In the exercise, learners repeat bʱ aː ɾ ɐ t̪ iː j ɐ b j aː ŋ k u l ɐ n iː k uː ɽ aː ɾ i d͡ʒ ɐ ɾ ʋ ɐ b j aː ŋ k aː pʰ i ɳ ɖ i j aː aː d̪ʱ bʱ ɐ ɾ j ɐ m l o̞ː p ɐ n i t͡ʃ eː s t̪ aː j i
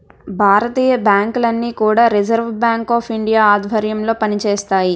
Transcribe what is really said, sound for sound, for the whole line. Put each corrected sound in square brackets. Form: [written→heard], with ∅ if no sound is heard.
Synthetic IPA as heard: bʱ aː ɾ ɐ t̪ iː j ɐ b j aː ŋ k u l ɐ [n→nː] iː k uː ɽ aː ɾ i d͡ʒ ɐ ɾ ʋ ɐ b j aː ŋ k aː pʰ i ɳ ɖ i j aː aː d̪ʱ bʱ ɐ ɾ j ɐ m l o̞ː p ɐ n i t͡ʃ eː s t̪ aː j i

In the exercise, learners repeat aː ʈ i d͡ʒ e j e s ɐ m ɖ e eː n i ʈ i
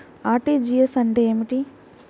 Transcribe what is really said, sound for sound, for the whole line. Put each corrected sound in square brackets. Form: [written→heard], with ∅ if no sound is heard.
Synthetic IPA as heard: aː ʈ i d͡ʒ [e→i] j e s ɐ [m→ɳ] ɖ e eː [n→m] i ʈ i

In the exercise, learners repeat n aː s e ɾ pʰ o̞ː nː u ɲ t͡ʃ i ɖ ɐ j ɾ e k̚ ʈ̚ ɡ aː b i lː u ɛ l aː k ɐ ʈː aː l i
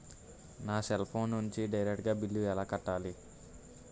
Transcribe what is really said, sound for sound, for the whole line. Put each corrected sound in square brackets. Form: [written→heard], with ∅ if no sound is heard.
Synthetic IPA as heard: n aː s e [ɾ→l] pʰ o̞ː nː u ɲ t͡ʃ i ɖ ɐ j ɾ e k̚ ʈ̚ ɡ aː b i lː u ɛ l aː k ɐ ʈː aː l i

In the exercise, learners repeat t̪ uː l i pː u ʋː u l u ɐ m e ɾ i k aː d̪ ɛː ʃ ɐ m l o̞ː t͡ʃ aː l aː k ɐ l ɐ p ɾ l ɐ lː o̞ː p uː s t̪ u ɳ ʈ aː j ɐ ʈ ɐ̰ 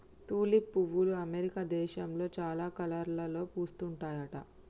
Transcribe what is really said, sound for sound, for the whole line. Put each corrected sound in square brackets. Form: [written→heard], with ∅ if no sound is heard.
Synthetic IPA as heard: t̪ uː l i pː u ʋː u l u ɐ m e ɾ i k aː d̪ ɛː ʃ ɐ m l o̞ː t͡ʃ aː l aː k ɐ l ɐ [p→∅] ɾ l ɐ [lː→l] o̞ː p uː s t̪ u ɳ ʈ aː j ɐ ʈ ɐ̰

